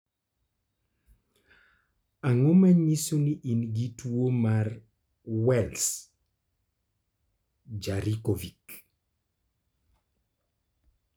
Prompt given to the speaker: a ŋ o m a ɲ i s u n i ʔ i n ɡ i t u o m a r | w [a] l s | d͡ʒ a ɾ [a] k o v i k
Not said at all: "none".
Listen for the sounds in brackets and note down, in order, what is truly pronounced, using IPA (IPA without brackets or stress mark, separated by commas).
ɛ, i